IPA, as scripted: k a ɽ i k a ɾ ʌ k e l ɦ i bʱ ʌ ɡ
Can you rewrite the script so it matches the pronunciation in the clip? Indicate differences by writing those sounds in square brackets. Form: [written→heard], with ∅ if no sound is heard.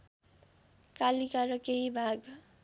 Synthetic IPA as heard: k a [ɽ→l] i k a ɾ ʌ k e [l→∅] ɦ i bʱ [ʌ→a] ɡ